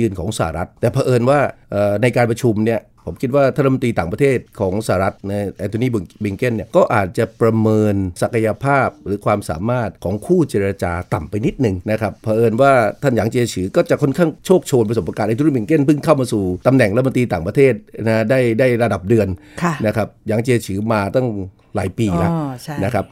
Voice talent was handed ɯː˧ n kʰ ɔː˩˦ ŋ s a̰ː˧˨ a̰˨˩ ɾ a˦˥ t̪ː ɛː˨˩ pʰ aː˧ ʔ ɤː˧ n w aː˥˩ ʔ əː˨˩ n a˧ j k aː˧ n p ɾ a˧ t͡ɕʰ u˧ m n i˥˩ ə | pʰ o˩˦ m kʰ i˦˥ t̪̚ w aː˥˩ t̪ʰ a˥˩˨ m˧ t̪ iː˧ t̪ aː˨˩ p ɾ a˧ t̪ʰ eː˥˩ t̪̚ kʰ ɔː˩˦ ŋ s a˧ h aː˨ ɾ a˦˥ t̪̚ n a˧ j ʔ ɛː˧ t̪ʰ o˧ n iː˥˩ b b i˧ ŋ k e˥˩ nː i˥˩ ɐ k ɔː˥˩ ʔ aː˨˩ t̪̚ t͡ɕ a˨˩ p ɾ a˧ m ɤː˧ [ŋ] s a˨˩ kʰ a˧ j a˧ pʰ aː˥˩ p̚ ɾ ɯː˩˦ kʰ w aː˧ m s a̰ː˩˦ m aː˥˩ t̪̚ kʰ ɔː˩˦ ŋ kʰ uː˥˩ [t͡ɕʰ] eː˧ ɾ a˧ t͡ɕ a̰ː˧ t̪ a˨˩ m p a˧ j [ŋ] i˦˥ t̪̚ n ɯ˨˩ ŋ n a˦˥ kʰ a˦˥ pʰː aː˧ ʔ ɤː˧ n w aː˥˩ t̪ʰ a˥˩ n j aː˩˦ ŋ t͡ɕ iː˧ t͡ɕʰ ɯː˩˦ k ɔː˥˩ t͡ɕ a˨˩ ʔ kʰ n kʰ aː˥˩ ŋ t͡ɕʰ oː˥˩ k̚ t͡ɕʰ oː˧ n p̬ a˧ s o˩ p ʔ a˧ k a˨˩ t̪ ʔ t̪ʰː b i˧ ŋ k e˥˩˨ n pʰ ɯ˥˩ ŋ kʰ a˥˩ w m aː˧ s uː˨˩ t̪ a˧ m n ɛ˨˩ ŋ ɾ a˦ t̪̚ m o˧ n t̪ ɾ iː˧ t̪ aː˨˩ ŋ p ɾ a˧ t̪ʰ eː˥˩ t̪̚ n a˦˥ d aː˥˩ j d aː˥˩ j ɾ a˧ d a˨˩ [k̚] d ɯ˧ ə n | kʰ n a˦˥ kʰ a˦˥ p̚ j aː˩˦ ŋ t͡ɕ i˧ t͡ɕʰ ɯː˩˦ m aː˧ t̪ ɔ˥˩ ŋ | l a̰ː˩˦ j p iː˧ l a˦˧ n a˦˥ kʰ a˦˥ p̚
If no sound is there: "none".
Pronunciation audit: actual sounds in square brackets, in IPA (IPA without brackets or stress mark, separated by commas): n, t͡ɕ, n, p̚